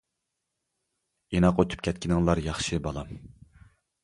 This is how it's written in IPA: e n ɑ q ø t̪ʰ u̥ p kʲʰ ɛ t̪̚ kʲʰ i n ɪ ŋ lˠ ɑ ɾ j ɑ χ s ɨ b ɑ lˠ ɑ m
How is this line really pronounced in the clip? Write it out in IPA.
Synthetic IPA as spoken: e n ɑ q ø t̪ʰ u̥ p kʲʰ ɛ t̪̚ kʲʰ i n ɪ ŋ lˠ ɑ ɾ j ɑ χ ʃ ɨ b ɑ lˠ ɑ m